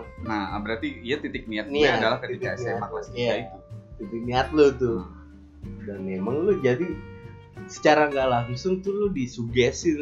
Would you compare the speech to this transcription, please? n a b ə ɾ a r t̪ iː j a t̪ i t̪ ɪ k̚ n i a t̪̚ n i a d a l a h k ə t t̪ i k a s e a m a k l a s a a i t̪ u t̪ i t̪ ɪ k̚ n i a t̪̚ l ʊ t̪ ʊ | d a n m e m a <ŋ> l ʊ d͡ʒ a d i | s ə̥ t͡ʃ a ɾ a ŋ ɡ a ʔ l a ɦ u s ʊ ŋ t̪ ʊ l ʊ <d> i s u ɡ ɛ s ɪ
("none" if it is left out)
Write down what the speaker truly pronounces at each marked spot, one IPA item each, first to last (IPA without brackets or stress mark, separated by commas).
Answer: ŋ, d